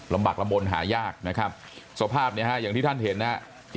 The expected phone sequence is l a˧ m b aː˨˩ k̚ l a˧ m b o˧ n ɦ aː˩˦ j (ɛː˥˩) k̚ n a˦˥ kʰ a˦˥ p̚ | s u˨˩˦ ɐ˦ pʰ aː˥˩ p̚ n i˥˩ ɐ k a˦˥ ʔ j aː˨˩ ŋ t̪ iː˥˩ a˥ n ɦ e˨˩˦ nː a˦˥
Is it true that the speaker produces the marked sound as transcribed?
no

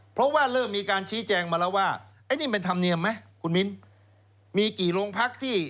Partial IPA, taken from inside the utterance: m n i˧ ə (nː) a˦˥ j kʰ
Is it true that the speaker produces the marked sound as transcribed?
no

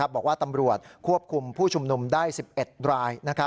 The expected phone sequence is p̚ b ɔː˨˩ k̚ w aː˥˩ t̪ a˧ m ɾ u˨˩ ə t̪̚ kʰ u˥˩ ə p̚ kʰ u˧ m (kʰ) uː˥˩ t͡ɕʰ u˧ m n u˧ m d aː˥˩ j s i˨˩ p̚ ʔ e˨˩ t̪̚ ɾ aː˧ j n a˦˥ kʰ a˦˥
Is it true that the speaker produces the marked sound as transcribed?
no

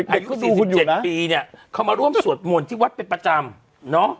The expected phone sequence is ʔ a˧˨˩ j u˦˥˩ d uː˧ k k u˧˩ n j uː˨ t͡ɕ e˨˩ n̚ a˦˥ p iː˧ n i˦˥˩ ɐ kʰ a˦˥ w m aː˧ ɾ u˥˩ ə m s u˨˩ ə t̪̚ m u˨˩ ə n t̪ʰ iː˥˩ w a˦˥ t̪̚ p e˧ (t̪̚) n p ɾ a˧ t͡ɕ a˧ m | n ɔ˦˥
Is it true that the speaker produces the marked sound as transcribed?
no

